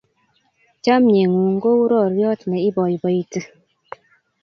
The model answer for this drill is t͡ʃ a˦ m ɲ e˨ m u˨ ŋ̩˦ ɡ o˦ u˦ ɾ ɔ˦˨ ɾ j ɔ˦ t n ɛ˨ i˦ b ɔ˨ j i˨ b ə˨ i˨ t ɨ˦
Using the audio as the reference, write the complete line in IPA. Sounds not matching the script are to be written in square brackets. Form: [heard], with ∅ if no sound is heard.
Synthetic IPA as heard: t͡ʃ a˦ m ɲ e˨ [ŋ] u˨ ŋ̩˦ ɡ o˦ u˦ ɾ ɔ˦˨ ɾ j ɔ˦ t n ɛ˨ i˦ b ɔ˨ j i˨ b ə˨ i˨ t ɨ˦